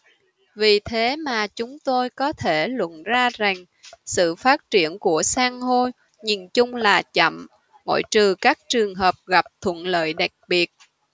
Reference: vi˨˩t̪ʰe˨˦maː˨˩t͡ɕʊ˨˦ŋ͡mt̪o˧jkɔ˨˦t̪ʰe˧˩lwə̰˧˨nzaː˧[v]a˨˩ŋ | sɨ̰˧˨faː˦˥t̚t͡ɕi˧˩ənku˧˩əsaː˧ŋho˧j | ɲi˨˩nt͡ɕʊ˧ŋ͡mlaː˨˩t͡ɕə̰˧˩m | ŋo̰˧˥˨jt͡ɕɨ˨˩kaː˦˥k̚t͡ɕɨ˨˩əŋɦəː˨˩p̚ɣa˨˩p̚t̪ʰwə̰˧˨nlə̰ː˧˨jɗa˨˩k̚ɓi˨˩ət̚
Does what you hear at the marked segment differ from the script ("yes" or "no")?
yes